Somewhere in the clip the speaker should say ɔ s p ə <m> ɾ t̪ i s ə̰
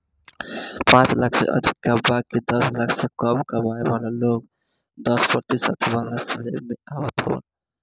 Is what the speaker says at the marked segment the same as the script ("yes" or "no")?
no